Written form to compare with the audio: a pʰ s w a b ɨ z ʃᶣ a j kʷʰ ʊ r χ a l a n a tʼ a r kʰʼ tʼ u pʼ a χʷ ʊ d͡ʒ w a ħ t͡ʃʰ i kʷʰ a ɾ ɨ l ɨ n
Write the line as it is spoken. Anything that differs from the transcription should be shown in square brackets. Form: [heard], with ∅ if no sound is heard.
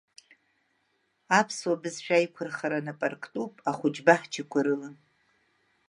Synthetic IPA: a pʰ s w a b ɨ z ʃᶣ a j kʷʰ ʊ r χ a [ɾ] a n a [pʼ] a r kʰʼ tʼ u pʼ a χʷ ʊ d͡ʒ [b] a ħ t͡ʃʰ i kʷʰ a ɾ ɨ l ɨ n